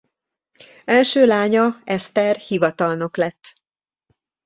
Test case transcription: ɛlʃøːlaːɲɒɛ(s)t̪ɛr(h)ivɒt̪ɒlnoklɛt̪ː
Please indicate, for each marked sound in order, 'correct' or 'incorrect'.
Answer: correct, correct

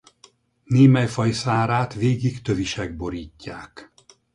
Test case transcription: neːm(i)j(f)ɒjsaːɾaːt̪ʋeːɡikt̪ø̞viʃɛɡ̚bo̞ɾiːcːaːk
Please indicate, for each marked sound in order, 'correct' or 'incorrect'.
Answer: incorrect: ɛ, correct

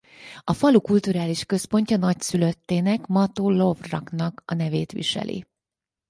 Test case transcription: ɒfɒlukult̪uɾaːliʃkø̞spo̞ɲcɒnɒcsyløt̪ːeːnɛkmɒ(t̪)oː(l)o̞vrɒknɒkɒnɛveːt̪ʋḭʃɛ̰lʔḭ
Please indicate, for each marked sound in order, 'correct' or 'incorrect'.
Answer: correct, correct

